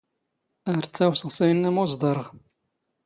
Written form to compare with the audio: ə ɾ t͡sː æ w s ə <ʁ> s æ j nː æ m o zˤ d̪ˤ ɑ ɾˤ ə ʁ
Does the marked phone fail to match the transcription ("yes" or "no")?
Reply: no